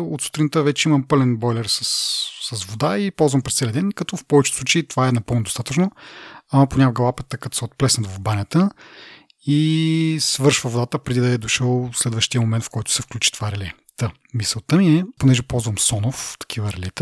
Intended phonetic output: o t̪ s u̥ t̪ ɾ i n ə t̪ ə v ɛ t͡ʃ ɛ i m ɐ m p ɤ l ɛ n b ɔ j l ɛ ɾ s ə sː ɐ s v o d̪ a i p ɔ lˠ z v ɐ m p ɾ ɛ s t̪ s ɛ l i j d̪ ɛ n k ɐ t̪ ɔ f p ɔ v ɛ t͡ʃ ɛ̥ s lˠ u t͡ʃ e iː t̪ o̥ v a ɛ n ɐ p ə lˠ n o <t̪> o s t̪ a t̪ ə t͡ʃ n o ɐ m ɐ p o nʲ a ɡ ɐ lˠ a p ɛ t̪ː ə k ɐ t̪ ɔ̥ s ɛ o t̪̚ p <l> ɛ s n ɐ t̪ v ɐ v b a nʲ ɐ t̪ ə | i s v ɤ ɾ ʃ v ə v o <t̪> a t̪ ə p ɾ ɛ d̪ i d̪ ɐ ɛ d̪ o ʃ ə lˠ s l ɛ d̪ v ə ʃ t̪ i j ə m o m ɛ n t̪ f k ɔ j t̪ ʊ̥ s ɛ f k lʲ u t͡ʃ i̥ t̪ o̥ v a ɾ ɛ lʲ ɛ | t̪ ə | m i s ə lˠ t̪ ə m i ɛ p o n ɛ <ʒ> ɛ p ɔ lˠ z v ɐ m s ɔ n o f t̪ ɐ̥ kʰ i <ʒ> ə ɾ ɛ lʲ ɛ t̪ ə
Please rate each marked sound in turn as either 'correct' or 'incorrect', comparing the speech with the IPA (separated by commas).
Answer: incorrect, correct, incorrect, correct, incorrect